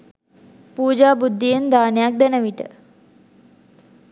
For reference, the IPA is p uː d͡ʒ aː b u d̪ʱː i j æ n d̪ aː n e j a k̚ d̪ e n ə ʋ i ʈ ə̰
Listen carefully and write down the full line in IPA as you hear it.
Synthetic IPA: p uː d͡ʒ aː b u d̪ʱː i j e n d̪ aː n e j a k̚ d̪ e n ə ʋ i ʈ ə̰